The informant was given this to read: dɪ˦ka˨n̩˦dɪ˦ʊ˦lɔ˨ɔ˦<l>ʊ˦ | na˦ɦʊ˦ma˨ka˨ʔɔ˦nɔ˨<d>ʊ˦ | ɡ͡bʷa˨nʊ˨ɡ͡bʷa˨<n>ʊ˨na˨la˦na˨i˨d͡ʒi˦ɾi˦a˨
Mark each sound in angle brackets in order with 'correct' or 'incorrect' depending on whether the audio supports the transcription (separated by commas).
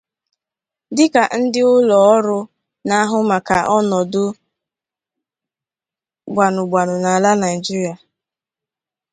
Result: incorrect, correct, correct